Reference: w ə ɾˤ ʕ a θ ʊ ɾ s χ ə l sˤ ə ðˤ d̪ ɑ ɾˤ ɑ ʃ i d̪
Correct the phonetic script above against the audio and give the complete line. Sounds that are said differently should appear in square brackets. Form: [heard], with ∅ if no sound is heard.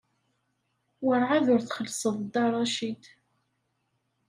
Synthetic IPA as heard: w ə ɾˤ ʕ a [ð] ʊ ɾ [θ] χ ə l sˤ ə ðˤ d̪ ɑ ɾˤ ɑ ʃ i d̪